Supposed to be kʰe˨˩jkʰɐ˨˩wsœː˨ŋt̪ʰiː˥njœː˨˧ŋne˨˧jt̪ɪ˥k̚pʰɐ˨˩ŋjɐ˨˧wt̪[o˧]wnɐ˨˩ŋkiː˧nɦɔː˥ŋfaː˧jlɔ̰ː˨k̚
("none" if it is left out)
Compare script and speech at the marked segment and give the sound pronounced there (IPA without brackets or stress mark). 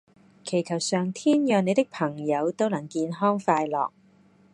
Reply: o˥